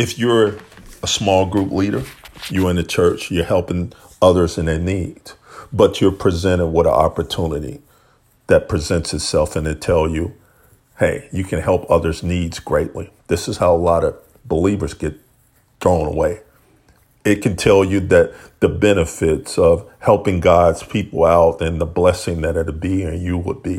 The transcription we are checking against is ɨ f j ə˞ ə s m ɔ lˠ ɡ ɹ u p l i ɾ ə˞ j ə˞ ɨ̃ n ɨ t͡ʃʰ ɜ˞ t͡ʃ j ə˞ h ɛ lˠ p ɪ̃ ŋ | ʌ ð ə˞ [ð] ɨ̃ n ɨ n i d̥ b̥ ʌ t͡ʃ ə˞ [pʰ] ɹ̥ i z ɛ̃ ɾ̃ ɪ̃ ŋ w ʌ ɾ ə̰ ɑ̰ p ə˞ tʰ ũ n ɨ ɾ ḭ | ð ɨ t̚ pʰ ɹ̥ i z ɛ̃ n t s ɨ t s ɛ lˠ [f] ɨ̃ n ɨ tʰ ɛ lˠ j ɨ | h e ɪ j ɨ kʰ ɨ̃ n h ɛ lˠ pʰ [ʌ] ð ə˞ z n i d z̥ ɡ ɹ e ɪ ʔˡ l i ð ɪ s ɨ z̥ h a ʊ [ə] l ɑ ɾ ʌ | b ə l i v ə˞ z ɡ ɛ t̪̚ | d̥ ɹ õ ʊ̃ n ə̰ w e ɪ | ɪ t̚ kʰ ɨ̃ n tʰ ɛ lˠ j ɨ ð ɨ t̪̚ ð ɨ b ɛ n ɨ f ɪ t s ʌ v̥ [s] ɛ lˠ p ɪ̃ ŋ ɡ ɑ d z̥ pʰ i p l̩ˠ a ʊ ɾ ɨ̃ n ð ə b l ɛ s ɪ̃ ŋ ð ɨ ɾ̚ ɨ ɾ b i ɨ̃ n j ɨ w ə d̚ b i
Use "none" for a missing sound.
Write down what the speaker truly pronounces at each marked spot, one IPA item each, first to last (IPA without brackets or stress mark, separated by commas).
z, pʰ, f, ʌ, ə, h